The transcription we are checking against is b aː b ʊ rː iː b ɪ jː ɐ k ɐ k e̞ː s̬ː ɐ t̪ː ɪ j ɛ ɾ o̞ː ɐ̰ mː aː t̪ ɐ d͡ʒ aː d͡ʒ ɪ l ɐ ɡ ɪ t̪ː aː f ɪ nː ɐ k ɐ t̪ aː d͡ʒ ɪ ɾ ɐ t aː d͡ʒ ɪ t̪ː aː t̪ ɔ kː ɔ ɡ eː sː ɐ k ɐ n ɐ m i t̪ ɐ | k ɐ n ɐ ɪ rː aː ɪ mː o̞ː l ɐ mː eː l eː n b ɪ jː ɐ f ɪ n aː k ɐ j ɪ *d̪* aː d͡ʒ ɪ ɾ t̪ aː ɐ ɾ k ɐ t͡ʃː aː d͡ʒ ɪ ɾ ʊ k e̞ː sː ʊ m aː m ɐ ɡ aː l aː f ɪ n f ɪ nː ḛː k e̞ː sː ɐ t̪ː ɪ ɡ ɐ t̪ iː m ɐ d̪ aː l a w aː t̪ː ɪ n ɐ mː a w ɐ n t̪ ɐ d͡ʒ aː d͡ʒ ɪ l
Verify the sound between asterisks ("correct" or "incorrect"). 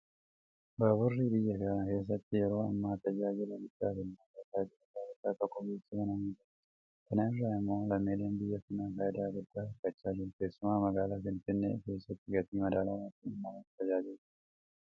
correct